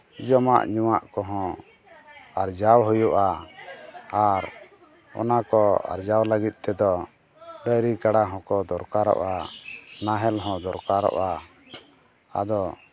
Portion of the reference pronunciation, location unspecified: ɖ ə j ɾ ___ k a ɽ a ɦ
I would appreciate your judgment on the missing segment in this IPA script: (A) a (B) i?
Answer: B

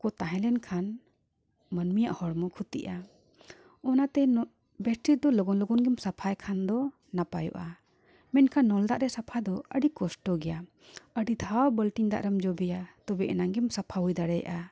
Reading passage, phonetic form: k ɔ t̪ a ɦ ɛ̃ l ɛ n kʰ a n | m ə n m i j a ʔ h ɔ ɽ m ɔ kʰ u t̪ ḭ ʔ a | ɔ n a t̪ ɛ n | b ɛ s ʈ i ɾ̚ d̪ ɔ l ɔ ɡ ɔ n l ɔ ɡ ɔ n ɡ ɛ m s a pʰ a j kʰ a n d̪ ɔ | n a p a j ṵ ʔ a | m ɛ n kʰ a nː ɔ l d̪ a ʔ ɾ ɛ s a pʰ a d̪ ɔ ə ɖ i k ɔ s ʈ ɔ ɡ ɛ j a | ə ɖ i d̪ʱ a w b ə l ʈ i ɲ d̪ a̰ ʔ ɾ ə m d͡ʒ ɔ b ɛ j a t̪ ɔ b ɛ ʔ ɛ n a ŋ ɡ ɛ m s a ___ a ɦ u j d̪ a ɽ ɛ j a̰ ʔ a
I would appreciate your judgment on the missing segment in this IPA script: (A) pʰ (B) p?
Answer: A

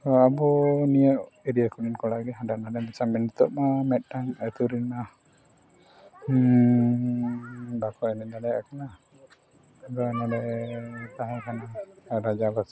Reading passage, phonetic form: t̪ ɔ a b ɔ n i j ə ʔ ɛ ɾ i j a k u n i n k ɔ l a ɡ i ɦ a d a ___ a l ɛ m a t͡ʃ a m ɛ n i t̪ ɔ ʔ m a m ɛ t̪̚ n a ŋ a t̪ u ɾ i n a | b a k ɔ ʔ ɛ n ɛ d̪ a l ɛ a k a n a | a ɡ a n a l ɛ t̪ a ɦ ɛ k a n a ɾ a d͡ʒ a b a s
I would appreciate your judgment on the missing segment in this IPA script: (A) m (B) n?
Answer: B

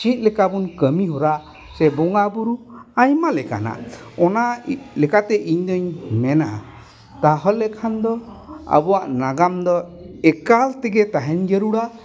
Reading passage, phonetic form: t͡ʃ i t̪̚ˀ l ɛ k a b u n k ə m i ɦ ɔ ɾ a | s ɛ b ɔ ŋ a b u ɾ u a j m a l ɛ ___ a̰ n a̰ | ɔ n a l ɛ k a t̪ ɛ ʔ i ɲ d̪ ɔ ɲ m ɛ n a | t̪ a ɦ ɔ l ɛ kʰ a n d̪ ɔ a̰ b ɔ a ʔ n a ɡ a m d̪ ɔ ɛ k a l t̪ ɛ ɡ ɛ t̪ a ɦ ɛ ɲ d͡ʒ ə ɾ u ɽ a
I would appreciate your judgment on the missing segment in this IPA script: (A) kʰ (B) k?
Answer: B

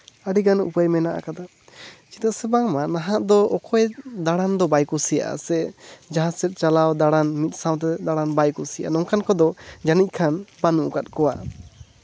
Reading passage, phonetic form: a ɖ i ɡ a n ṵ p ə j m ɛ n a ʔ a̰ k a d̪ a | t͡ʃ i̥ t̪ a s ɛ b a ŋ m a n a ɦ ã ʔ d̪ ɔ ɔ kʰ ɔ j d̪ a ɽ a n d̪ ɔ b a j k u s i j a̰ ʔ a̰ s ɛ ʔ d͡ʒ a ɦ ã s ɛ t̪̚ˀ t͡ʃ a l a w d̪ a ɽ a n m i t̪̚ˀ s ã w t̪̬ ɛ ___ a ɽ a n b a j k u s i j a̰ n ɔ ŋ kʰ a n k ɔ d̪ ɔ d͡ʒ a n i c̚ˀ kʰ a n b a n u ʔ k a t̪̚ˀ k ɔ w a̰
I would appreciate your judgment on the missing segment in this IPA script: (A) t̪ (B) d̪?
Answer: B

